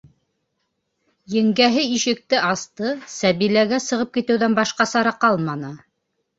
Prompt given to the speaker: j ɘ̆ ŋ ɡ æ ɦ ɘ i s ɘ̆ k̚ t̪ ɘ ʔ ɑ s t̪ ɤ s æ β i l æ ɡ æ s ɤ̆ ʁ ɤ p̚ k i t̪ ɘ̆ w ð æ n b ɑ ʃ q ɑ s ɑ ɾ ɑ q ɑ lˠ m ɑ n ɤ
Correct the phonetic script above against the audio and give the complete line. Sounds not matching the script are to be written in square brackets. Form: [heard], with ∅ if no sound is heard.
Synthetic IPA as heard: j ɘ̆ ŋ ɡ æ ɦ ɘ i [ʃ] ɘ̆ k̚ t̪ ɘ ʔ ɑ s t̪ ɤ s æ β i l æ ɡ æ s ɤ̆ ʁ ɤ p̚ k i t̪ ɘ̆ w ð æ n b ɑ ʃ q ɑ s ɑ ɾ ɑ q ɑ lˠ m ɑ n ɤ